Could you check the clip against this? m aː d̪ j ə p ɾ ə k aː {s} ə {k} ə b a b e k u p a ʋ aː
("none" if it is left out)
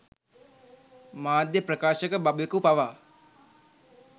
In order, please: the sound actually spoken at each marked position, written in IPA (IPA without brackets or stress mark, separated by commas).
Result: ʃ, k